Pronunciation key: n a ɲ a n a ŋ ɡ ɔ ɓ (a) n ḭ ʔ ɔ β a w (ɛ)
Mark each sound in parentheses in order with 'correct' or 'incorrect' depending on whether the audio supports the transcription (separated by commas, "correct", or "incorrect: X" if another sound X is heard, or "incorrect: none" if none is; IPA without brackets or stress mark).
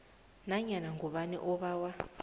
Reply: correct, incorrect: a